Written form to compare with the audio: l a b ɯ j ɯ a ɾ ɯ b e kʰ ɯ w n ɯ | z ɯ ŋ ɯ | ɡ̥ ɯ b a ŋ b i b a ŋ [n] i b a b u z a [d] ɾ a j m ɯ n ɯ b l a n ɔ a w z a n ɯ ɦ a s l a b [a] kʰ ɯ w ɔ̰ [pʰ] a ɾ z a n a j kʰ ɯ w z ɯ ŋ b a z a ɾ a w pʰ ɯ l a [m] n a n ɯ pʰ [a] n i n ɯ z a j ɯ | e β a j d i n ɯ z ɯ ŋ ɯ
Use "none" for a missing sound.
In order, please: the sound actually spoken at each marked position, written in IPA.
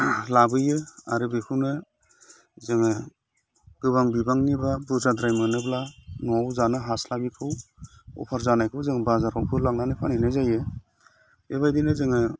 n, d, i, pʰ, ŋ, a

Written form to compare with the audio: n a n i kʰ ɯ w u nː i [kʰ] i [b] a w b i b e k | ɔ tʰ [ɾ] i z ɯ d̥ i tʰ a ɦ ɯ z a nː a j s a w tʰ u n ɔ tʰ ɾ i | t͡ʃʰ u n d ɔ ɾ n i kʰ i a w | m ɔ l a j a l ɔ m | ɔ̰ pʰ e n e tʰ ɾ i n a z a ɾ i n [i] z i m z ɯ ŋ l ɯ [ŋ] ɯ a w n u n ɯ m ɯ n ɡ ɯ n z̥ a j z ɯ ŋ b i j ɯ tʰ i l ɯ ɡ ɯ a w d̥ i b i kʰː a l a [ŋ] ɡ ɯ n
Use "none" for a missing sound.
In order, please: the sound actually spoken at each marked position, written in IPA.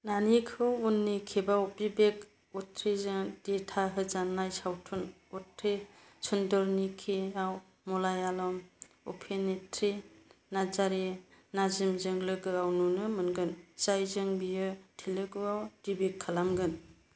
kʰ, b, ɾ, a, ɡ, m

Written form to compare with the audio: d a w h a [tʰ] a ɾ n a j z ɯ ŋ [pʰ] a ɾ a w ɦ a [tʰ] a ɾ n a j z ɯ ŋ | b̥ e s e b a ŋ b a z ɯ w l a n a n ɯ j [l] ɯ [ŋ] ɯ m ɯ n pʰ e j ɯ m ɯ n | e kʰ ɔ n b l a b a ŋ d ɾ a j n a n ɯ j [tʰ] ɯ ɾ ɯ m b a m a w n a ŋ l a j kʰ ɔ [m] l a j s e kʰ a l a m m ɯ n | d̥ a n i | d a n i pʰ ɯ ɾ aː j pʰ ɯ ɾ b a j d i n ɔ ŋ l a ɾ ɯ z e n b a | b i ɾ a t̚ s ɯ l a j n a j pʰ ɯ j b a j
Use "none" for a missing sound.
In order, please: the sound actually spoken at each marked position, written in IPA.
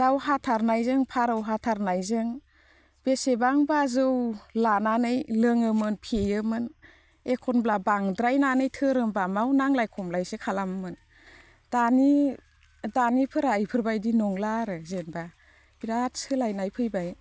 tʰ, pʰ, tʰ, l, ŋ, tʰ, m

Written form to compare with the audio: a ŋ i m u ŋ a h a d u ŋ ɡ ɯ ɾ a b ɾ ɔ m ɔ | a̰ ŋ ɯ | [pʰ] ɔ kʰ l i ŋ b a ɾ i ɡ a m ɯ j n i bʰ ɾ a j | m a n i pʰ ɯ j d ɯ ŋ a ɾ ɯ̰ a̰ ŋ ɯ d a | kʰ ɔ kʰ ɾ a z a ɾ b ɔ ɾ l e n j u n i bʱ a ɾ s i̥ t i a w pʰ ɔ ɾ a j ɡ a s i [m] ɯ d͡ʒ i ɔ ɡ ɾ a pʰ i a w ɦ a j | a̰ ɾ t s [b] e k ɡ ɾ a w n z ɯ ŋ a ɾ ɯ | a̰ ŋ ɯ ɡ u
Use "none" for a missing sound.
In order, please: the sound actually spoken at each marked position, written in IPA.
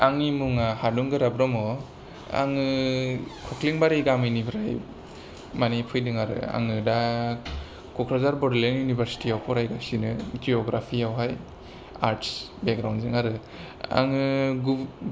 kʰ, n, b

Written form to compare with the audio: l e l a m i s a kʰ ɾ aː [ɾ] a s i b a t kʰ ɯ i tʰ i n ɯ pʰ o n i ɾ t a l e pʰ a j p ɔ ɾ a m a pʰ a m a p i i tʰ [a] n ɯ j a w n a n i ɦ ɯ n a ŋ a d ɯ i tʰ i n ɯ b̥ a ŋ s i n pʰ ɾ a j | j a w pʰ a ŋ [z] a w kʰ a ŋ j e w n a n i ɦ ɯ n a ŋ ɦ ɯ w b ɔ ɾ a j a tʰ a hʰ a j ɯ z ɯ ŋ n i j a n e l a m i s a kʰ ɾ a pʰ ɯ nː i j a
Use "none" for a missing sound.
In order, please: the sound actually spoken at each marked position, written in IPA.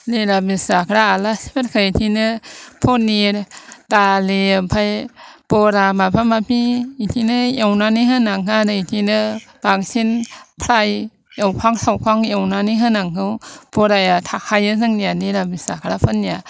l, i, s

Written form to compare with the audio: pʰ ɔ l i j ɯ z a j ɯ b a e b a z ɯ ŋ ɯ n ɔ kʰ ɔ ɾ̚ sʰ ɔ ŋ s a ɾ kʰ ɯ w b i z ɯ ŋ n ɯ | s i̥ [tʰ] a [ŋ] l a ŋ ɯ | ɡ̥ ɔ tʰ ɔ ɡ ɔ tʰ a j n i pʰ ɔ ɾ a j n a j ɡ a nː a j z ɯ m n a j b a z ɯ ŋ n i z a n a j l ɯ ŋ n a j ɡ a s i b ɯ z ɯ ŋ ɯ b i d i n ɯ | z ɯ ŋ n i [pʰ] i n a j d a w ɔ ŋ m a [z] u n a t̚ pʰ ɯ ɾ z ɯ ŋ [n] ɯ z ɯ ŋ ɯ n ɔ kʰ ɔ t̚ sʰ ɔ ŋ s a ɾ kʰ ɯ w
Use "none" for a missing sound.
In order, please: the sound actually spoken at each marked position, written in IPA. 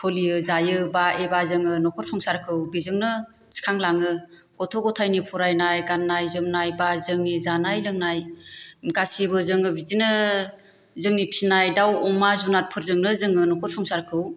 kʰ, ŋ, pʰ, z, n

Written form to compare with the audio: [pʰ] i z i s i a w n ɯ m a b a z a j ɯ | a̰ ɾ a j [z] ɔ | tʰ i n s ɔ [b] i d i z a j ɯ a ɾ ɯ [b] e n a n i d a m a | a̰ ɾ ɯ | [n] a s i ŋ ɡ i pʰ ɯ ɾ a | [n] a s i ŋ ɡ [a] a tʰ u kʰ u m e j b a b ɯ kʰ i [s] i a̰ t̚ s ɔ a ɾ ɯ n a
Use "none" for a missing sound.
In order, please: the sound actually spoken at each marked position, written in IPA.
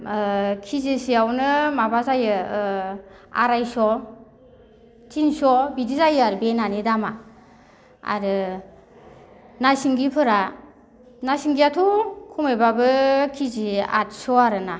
kʰ, s, b, b, n, n, i, z

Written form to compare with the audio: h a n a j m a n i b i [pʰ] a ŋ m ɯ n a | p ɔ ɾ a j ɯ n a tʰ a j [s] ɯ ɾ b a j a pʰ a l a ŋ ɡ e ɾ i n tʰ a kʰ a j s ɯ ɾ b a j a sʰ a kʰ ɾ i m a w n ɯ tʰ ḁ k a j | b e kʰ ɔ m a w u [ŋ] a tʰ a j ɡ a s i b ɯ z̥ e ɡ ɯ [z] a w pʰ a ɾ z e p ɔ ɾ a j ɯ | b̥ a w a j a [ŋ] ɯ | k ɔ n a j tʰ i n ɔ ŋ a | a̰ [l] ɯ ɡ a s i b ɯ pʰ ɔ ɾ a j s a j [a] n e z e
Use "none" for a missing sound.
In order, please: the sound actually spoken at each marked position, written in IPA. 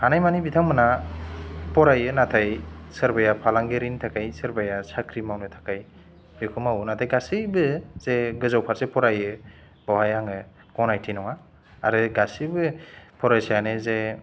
tʰ, s, n, z, ŋ, ɾ, a

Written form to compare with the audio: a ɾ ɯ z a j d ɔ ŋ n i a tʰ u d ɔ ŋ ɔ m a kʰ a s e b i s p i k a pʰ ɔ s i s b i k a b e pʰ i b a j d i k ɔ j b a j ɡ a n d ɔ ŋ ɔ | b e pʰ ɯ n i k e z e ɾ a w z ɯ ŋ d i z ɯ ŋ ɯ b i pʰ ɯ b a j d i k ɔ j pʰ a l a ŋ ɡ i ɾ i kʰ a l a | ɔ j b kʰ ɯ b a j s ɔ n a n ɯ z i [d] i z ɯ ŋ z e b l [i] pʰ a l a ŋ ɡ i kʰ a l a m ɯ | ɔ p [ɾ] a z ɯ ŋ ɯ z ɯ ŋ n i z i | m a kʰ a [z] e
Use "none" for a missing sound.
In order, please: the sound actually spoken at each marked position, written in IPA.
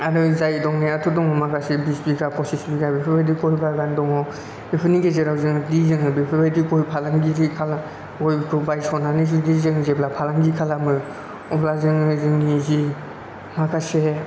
d, a, l, s

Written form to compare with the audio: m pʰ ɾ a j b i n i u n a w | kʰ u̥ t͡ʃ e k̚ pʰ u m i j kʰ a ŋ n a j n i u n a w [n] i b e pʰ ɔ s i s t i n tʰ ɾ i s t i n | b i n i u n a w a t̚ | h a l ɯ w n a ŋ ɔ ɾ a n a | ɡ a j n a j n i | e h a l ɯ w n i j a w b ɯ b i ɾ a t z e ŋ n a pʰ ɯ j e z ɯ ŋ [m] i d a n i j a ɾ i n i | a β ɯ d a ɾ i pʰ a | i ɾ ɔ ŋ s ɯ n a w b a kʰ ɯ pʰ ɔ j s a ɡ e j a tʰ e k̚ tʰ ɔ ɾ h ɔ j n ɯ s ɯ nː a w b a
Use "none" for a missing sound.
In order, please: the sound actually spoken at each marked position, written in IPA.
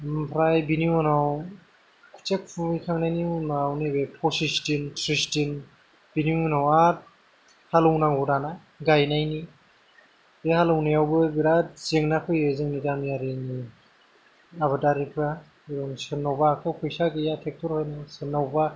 n, n

